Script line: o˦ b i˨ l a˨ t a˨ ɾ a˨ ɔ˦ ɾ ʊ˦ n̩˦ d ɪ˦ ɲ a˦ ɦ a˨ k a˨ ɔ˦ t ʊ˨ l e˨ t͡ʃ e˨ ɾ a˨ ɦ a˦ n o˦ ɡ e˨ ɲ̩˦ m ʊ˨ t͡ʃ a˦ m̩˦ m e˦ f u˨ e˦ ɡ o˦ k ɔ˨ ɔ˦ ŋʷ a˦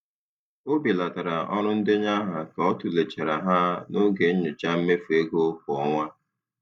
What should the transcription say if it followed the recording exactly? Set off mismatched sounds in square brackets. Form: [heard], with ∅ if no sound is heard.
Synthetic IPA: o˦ b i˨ l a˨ t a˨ ɾ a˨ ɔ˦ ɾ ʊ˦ n̩˦ d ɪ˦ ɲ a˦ ɦ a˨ k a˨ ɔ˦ t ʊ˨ l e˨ t͡ʃ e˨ ɾ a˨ ɦ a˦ n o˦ ɡ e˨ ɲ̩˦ [ɲ] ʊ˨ t͡ʃ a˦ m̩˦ m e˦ f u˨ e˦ ɡ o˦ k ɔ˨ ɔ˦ ŋʷ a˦